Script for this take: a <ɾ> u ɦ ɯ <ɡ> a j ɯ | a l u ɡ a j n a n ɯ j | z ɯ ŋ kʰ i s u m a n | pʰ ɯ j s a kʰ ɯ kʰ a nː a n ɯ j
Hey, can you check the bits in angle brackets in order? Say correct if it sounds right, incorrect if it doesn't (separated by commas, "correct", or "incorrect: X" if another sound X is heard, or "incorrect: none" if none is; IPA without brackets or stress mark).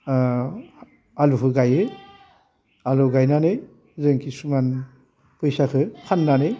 incorrect: l, correct